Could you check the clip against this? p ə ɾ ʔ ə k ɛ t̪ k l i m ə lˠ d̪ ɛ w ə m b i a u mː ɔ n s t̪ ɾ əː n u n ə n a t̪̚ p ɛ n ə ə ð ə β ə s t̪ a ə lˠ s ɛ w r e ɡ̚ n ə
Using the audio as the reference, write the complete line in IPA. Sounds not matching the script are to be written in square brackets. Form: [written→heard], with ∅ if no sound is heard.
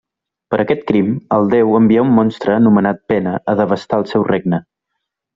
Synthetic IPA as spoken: p ə ɾ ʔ ə k ɛ t̪ k [l→ɾ] i m ə lˠ d̪ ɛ w ə m b i a u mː ɔ n s t̪ ɾ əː n u [n→m] ə n a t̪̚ p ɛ n ə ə ð ə β ə s t̪ a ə lˠ s ɛ w r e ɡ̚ n ə